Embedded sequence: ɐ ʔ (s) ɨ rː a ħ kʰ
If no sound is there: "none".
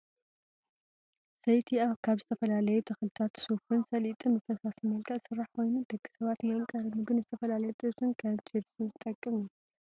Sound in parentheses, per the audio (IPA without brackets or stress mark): s